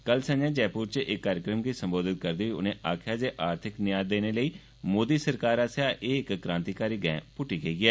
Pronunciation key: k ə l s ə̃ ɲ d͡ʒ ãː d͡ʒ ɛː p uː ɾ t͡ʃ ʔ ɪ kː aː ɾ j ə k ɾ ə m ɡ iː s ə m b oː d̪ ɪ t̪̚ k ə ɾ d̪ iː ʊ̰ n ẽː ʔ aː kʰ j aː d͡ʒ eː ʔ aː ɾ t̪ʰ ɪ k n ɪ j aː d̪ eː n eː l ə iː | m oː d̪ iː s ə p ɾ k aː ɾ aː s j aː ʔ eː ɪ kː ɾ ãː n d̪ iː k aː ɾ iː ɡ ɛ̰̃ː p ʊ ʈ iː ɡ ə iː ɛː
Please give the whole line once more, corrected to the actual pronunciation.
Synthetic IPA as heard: k ə l s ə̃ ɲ d͡ʒ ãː d͡ʒ ɛː p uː ɾ t͡ʃ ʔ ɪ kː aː ɾ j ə k ɾ ə m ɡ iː s ə m b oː d̪ ɪ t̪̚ k ə ɾ d̪ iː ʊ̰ n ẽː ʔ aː kʰ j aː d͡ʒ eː ʔ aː ɾ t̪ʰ ɪ k n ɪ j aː d̪ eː n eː l ə iː | m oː d̪ iː s ə ɾ k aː ɾ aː s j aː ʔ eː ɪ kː ɾ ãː n t̪ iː k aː ɾ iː ɡ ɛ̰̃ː p ʊ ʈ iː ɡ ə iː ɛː